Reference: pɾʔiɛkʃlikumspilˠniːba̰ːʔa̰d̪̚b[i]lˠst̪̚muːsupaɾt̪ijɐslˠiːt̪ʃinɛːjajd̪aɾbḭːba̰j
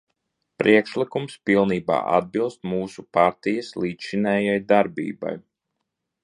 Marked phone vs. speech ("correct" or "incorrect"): correct